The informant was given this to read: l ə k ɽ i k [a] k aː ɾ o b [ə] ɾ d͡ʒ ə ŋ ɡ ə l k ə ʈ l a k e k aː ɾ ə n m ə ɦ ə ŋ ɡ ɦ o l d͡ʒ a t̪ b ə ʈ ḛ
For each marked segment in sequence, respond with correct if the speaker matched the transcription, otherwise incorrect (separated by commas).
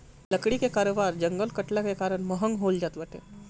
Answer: incorrect, incorrect